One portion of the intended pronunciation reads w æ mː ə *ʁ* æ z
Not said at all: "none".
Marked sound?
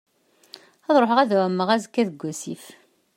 ʁ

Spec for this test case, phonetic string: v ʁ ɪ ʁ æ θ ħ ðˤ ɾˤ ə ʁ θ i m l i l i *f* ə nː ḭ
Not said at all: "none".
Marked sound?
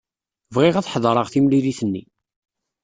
θ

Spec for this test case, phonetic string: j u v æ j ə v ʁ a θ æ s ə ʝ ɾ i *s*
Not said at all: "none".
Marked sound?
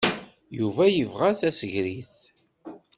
θ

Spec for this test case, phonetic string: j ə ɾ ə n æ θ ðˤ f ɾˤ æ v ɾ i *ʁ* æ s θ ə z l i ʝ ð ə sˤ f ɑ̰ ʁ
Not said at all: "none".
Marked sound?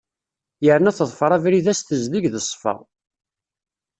ð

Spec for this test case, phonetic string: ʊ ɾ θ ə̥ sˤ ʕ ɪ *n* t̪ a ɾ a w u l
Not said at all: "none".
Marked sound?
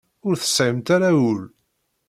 m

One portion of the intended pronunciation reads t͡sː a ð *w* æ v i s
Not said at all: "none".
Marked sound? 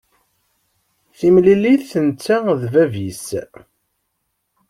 v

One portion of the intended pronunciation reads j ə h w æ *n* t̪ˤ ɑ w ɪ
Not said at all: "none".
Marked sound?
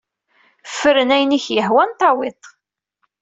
n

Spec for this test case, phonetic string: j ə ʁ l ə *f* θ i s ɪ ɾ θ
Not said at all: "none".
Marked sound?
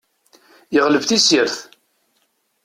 v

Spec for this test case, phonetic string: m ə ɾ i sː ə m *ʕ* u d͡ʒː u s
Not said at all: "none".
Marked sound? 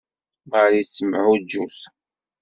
ʕ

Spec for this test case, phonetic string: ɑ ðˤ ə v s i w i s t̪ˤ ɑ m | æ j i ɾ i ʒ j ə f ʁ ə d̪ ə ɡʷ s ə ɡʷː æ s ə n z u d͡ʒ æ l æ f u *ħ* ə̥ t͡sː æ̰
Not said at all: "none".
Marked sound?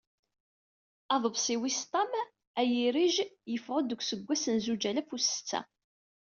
s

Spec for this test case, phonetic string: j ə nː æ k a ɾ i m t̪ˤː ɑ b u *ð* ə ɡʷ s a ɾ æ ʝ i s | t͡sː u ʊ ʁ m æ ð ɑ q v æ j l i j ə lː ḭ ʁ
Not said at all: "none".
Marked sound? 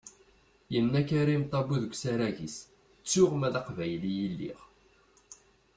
ð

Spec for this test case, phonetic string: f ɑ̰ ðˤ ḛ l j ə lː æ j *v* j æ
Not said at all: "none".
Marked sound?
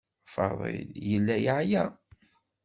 ʕ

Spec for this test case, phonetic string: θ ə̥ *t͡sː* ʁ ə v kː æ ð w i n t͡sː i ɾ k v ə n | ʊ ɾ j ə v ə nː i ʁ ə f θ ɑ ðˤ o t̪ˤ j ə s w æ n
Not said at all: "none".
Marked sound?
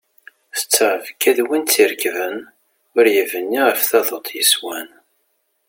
t͡sː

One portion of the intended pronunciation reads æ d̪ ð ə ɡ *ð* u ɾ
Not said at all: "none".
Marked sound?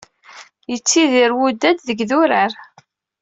ð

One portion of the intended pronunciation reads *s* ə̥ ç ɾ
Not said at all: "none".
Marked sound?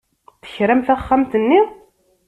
θ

